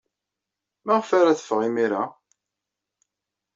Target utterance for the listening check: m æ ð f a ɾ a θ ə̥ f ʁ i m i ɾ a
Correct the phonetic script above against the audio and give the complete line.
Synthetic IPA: m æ ʁ f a ɾ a θ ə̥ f ʁ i m i ɾ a